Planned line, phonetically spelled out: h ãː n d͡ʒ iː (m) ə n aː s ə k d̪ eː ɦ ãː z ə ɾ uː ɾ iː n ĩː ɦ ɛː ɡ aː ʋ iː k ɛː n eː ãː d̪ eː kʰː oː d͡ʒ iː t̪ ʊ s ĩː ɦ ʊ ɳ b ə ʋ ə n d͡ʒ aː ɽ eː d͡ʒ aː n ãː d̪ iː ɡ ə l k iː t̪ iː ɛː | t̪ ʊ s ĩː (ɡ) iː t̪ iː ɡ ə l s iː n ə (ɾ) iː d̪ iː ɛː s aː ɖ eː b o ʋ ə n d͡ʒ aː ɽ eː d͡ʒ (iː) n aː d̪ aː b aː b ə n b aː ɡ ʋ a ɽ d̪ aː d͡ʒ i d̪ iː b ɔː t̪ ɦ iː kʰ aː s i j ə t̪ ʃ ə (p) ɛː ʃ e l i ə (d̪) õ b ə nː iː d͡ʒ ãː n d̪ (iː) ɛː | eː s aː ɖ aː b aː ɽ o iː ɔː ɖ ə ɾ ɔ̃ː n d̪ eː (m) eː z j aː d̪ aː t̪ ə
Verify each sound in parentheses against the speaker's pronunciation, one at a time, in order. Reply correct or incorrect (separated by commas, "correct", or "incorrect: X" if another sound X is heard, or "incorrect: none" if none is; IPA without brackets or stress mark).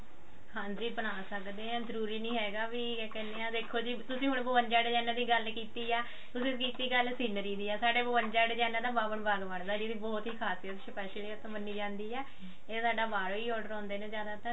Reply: incorrect: b, incorrect: k, correct, incorrect: aː, correct, incorrect: t̪, correct, incorrect: n